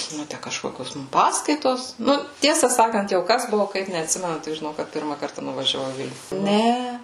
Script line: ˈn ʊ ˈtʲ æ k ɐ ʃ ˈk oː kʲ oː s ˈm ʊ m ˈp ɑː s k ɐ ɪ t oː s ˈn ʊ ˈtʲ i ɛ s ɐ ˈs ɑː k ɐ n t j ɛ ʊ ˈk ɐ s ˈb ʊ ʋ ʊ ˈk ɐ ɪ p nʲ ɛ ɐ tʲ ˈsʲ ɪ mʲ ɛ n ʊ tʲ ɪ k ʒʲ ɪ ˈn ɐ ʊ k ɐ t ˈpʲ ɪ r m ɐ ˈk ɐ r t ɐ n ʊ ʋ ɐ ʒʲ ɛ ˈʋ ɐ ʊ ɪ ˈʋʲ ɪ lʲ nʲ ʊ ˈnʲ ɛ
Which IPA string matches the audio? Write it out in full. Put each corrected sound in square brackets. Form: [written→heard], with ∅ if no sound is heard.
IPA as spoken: ˈn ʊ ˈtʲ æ k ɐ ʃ ˈk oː kʲ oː s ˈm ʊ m ˈp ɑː s k ɐ ɪ t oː s ˈn ʊ ˈtʲ i ɛ s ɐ ˈs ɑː k ɐ n t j ɛ ʊ ˈk ɐ s ˈb ʊ ʋ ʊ ˈk ɐ ɪ p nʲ ɛ ɐ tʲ ˈsʲ ɪ mʲ ɛ n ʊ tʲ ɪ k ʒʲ ɪ ˈn ɐ ʊ k ɐ t ˈpʲ ɪ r m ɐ ˈk ɐ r t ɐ n ʊ ʋ ɐ ʒʲ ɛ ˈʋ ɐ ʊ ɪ ˈʋʲ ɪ lʲ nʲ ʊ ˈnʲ ɛ